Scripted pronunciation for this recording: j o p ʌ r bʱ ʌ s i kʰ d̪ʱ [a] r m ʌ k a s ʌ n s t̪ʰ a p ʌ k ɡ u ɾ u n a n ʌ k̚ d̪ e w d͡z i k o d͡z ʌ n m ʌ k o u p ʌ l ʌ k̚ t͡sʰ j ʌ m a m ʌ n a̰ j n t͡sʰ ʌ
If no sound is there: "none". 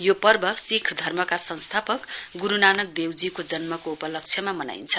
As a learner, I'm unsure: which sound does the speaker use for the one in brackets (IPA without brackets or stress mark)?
ʌ